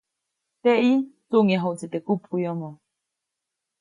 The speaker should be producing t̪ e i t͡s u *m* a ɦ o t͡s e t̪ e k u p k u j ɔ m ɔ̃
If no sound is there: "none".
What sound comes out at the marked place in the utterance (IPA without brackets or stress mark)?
ŋ